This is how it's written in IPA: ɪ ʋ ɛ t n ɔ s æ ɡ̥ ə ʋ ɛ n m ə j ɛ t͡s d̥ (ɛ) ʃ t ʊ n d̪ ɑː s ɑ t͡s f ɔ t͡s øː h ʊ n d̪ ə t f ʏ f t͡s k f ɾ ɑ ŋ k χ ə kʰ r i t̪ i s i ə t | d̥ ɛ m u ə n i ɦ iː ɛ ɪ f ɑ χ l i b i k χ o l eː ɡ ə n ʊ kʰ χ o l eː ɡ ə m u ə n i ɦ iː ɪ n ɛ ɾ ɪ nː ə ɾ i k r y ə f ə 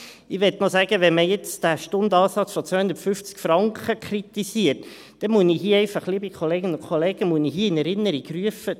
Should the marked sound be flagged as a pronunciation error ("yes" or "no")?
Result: yes